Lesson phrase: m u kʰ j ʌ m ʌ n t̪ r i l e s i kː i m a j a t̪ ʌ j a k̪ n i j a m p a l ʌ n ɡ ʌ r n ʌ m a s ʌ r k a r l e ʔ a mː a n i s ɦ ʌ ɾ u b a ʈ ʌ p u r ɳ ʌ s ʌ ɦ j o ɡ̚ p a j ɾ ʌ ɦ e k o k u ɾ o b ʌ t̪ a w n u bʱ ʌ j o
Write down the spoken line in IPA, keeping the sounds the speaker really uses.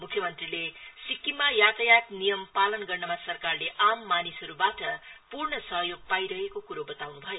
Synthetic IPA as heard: m u kʰ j ʌ m ʌ n t̪ r i l e s i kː i m a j a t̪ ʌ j a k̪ n i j ʌ m p a l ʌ n ɡ ʌ r n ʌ m a s ʌ r k a r l e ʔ a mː a n i s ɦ ʌ ɾ u b a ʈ ʌ p u r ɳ ʌ s ʌ ɦ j o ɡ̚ p a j ɾ ʌ ɦ e k o k u ɾ o b ʌ t̪ a w n u bʱ ʌ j o

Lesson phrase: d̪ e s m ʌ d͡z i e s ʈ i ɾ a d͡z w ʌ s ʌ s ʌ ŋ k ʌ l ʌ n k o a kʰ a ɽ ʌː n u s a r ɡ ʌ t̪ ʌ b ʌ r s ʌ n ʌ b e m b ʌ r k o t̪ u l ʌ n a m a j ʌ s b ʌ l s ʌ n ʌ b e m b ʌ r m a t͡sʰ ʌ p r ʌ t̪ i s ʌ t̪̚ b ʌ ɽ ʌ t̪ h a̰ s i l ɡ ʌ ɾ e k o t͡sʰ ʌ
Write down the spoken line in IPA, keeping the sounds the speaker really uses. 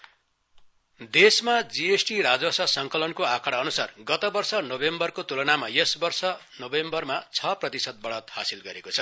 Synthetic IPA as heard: d̪ e s m a d͡z i e s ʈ i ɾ a d͡z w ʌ s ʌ s ʌ ŋ k ʌ l ʌ n k o a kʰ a ɽ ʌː n u s a r ɡ ʌ t̪ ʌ b ʌ r s ʌ n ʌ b e m b ʌ r k o t̪ u l ʌ n a m a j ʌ s b ʌ r s ʌ n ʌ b e m b ʌ r m a t͡sʰ ʌ p r ʌ t̪ i s ʌ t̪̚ b ʌ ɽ ʌ t̪ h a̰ s i l ɡ ʌ ɾ e k o t͡sʰ ʌ

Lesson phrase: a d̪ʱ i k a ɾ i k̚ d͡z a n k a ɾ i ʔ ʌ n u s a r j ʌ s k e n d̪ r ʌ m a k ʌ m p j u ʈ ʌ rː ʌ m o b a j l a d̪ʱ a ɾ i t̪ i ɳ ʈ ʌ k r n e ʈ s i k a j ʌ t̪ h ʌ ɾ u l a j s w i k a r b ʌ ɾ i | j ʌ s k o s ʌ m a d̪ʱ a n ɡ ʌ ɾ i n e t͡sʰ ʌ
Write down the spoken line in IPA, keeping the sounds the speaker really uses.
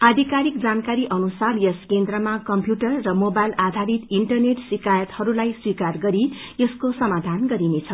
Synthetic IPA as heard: a d̪ʱ i k a ɾ i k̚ d͡z a n k a ɾ i ʔ ʌ n u s a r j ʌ s k e n d̪ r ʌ m a k ʌ m p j u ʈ ʌ rː ʌ m o b a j l a d̪ʱ a ɾ i t̪ i ɳ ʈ ʌ r n e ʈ s i k a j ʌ t̪ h ʌ ɾ u l a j s w i k a r ɡ ʌ ɾ i | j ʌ s k o s ʌ m a d̪ʱ a n ɡ ʌ ɾ i n e t͡sʰ ʌ

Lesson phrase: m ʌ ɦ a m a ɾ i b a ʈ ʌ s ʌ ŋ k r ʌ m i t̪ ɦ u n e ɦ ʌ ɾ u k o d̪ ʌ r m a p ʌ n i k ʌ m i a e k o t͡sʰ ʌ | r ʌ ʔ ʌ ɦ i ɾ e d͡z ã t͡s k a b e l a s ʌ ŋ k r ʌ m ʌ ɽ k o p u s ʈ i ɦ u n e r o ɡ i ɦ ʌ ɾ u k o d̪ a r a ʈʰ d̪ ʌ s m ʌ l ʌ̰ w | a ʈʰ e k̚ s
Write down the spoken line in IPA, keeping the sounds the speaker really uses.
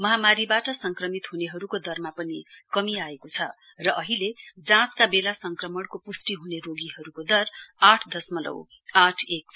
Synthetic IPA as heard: m ʌ ɦ a m a ɾ i b a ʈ ʌ s ʌ ŋ k r ʌ m i t̪ ɦ u n e ɦ ʌ ɾ u k o d̪ ʌ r m a p ʌ n i k ʌ m i a e k o t͡sʰ ʌ | r ʌ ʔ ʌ ɦ i l e d͡z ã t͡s k a b e l a s ʌ ŋ k r ʌ m ʌ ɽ k o p u s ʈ i ɦ u n e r o ɡ i ɦ ʌ ɾ u k o d̪ ʌ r a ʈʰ d̪ ʌ s m ʌ l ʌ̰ w | a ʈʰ e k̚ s

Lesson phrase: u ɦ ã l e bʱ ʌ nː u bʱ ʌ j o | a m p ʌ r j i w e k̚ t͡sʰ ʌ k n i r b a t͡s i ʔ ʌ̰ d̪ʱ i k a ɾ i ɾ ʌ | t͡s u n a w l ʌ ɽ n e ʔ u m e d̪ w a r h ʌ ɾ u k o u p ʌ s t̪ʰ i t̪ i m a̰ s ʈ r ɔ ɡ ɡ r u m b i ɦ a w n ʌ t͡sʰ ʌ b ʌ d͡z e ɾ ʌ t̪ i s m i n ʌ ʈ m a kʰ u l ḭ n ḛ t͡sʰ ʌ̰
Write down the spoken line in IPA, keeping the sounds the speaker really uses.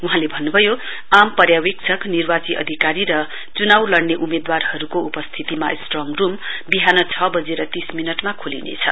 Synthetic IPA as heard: u ɦ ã l e bʱ ʌ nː u bʱ ʌ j o | a m p ʌ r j a w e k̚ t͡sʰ ʌ k n i r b a t͡s i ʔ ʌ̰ d̪ʱ i k a ɾ i ɾ ʌ | t͡s u n a w l ʌ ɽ n e ʔ u m e d̪ w a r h ʌ ɾ u k o u p ʌ s t̪ʰ i t̪ i m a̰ s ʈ r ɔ ŋ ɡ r u m b i ɦ a n ʌ t͡sʰ ʌ b ʌ d͡z e ɾ ʌ t̪ i s m i n ʌ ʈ m a kʰ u l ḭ n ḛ t͡sʰ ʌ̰

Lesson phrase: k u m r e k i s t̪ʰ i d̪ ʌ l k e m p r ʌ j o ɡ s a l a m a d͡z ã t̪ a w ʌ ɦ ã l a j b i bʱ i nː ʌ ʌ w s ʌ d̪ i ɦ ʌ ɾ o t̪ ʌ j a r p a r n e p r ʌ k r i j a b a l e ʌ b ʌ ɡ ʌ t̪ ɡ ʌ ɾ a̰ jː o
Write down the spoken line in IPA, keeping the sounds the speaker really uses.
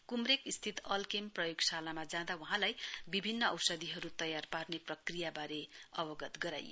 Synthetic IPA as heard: k u m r e k i s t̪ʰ i t̪ ʌ l k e m p r ʌ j o ɡ s a l a m a d͡z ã d̪ a w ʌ ɦ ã l a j b i bʱ i nː ʌ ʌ w s ʌ d̪ i ɦ ʌ ɾ u t̪ ʌ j a r p a r n e p r ʌ k r i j a b a ɾ e ʌ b ʌ ɡ ʌ t̪ ɡ ʌ ɾ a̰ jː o

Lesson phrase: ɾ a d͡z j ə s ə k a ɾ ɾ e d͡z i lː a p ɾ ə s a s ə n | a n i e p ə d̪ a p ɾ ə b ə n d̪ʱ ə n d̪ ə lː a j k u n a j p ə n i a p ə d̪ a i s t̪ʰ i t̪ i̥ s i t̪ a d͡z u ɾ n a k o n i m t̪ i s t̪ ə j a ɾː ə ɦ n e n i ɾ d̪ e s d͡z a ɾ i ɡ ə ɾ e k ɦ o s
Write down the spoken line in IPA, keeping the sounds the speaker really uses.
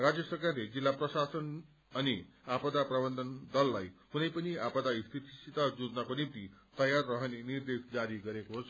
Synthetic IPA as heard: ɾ a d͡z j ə s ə k a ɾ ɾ e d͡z i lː a p ɾ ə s a s ə n | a n i a p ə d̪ a p ɾ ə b ə n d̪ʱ ə n d̪ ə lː a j k u n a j p ə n i a p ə d̪ a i s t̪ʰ i t̪ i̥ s i t̪ a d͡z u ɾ n a k o n i m t̪ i t̪ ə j a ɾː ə ɦ n e n i ɾ d̪ e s d͡z a ɾ i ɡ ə ɾ e k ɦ o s

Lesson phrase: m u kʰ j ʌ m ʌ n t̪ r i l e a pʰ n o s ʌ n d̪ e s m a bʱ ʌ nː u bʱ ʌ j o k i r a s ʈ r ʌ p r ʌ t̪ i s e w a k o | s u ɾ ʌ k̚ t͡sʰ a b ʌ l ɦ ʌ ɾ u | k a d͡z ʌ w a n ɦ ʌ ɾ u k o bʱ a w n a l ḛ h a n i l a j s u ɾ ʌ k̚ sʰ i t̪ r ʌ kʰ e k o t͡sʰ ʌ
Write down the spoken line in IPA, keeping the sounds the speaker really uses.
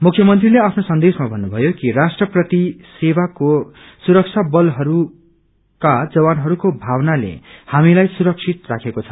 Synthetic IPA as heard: m u kʰ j ʌ m ʌ n t̪ r i l e a pʰ n o s ʌ n d̪ e s m a bʱ ʌ nː u bʱ ʌ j o k i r a s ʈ r ʌ p r ʌ t̪ i s e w a k o | s u ɾ ʌ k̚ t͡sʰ a b ʌ l ɦ ʌ ɾ u | k a d͡z ʌ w a n ɦ ʌ ɾ u k o bʱ a w n a l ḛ h a m i l a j s u ɾ ʌ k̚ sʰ i t̪ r a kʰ e k o t͡sʰ ʌ

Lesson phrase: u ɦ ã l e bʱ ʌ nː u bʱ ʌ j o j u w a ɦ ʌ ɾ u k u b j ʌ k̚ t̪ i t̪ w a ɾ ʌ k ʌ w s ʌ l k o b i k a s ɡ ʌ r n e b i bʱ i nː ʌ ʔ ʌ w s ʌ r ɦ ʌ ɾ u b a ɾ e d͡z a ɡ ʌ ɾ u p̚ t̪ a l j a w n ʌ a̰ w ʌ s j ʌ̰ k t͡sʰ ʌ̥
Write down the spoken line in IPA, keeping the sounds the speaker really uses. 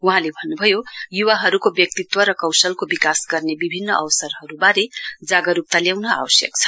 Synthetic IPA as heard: u ɦ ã l e bʱ ʌ nː u bʱ ʌ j o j u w a ɦ ʌ ɾ u k o b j ʌ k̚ t̪ i t̪ w ʌ ɾ ʌ k ʌ w s ʌ l k o b i k a s ɡ ʌ r n e b i bʱ i nː ʌ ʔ ʌ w s ʌ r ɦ ʌ ɾ u b a ɾ e d͡z a ɡ ʌ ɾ u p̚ t̪ a l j a w n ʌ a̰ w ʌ s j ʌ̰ k t͡sʰ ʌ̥

